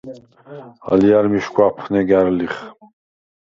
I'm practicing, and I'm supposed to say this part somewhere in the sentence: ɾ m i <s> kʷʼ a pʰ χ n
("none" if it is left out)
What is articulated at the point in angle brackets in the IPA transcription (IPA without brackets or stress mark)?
ʃ